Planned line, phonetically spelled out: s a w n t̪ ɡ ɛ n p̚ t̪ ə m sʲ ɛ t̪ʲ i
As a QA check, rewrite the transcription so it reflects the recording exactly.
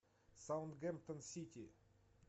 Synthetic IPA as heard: s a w n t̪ ɡ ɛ m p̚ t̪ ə n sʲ i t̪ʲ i

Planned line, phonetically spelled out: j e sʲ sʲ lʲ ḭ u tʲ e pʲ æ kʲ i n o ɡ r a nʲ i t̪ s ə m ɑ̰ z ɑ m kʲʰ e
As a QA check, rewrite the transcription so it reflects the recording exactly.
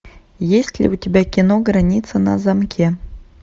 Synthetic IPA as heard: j e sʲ tʲ lʲ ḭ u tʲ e bʲ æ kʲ i n o ɡ r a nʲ i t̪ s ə n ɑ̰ z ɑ m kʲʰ e

